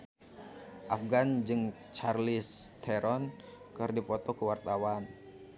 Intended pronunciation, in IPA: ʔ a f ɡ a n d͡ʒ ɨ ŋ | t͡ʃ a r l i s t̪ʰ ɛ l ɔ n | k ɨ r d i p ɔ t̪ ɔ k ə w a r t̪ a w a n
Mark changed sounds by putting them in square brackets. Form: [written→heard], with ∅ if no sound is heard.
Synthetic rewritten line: ʔ a f ɡ a n d͡ʒ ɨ ŋ | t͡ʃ a r l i s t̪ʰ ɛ [l→ɾ] ɔ n | k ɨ r d i p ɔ t̪ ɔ k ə w a r t̪ a w a n